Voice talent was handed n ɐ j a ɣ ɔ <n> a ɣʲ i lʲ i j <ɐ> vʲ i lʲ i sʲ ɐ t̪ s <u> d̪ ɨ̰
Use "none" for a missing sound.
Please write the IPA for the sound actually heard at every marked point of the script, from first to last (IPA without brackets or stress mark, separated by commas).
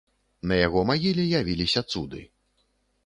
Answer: m, a, u